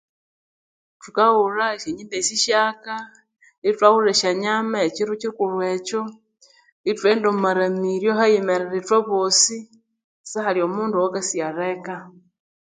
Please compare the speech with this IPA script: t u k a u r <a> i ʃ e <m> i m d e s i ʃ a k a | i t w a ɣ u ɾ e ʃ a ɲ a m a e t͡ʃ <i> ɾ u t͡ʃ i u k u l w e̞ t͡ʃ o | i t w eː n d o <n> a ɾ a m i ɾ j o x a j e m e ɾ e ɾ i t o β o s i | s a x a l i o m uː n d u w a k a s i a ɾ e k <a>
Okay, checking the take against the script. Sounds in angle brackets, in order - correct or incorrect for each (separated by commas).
correct, incorrect, correct, incorrect, correct